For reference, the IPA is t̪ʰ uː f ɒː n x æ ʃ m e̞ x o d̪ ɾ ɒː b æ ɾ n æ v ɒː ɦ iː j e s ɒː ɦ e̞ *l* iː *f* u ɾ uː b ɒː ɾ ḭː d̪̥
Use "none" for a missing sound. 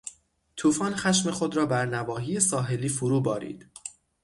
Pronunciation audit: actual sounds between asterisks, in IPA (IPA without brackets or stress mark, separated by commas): l, f